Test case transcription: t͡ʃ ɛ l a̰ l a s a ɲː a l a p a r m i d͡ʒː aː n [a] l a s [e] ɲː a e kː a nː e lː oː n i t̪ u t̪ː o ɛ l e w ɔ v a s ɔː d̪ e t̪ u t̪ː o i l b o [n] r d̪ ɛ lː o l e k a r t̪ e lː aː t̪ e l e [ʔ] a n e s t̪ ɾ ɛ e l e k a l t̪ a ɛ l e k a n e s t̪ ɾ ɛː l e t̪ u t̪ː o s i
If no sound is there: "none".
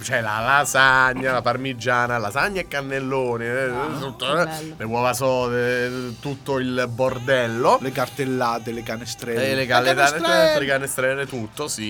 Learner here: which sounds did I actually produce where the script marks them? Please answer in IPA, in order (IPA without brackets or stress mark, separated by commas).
a, a, none, k